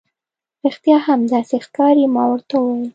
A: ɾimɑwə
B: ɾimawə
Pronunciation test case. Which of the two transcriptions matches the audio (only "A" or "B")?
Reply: A